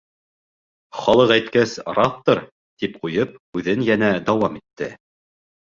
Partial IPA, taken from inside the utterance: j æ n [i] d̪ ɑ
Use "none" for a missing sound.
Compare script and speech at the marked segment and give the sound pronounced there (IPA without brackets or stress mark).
æ